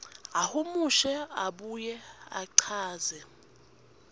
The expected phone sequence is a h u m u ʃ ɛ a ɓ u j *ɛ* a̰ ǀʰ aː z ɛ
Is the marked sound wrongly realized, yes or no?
no